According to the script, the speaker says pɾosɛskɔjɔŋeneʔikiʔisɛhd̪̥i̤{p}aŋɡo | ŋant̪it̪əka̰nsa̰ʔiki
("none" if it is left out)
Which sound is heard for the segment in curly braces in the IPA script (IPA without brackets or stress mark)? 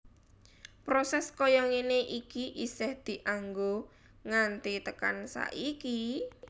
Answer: ʔ